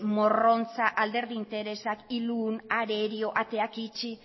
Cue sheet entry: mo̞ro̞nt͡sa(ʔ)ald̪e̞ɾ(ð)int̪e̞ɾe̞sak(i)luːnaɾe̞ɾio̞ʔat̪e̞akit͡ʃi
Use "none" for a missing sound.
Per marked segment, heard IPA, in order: ʔ, ð, i

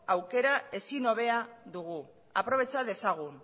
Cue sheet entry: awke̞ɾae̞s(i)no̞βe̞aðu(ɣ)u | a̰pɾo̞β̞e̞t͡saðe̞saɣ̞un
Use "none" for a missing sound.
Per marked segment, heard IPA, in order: i, ɣ

